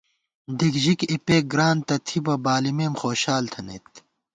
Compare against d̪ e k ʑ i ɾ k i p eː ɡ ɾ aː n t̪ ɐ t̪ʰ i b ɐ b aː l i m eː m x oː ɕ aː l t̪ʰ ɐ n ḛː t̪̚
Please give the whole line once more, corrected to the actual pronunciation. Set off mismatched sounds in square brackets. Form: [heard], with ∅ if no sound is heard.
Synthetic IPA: d̪ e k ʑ i [∅] k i p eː ɡ ɾ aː n t̪ ɐ t̪ʰ i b ɐ b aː l i m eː m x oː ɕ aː l t̪ʰ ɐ n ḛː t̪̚